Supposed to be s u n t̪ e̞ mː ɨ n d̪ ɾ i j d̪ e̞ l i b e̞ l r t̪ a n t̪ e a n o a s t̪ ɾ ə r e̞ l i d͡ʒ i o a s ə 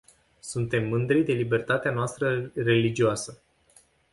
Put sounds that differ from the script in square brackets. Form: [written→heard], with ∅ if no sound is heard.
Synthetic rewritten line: s u n t̪ e̞ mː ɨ n d̪ ɾ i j d̪ e̞ l i b e̞ [l→∅] r t̪ a [n→∅] t̪ e a n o a s t̪ ɾ ə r e̞ l i d͡ʒ i o a s ə